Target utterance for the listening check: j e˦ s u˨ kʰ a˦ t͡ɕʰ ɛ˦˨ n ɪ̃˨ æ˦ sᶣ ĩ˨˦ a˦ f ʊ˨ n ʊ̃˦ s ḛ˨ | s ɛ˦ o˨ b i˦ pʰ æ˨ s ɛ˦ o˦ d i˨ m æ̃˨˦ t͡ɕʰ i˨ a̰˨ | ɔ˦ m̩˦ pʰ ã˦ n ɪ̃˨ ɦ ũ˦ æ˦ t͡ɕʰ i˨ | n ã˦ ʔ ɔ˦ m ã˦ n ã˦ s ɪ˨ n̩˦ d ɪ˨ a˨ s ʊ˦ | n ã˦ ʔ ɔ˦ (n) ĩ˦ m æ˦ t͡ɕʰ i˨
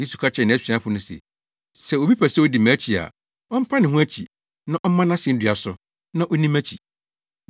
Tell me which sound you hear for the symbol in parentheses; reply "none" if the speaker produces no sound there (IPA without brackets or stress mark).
n